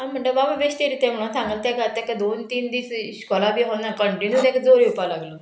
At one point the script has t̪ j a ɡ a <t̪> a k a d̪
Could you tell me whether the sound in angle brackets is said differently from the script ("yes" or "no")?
no